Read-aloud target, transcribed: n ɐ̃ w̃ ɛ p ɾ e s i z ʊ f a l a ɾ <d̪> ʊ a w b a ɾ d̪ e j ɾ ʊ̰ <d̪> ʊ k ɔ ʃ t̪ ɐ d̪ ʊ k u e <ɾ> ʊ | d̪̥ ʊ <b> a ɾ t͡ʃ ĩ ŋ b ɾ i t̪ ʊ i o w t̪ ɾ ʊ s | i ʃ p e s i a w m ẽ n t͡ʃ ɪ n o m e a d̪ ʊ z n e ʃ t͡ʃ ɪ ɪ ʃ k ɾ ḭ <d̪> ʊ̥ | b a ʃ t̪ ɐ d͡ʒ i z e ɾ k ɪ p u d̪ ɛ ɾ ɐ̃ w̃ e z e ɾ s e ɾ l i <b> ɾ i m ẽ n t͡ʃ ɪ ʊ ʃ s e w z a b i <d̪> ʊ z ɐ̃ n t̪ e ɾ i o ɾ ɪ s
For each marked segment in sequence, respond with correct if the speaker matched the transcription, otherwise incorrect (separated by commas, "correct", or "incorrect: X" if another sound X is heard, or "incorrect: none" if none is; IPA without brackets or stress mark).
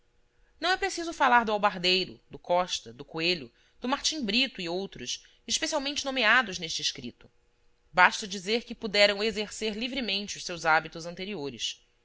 correct, correct, incorrect: ʎ, incorrect: m, incorrect: t̪, incorrect: v, incorrect: t̪